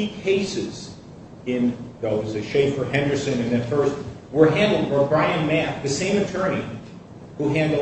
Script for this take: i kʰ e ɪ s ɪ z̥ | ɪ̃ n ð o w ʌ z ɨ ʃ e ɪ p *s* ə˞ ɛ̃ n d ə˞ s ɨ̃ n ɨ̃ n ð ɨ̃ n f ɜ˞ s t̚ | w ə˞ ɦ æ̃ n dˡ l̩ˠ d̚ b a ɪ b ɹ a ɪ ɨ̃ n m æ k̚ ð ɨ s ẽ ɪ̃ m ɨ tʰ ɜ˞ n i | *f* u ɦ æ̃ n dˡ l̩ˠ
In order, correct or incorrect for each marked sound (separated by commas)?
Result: incorrect, incorrect